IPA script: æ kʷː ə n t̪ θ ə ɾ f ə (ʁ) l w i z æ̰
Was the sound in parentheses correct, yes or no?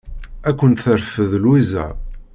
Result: no